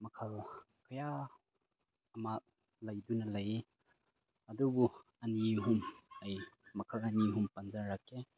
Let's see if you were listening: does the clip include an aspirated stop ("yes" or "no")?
yes